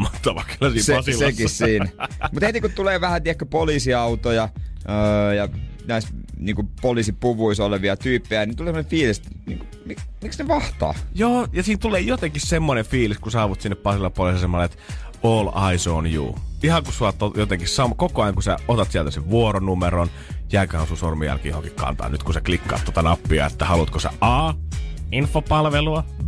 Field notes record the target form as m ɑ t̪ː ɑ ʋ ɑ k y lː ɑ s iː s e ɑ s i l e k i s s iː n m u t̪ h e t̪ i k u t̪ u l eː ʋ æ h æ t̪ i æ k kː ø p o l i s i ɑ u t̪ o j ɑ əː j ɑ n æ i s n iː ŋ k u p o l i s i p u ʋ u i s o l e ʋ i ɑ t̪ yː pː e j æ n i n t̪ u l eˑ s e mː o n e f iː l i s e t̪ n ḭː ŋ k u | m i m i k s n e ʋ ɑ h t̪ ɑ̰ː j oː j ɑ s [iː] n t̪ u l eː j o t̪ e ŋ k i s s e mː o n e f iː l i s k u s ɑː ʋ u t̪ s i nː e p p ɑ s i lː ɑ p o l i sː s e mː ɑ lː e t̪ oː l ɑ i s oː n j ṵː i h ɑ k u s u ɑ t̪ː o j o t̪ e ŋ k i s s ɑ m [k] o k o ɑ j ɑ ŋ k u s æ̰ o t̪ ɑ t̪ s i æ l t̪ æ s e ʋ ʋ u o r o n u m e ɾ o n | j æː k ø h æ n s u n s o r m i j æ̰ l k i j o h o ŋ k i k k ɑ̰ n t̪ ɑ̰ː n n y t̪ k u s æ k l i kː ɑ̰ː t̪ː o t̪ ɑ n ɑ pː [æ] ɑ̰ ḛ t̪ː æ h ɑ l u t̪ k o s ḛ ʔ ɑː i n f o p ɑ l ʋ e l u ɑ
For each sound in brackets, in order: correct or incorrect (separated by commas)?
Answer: correct, correct, incorrect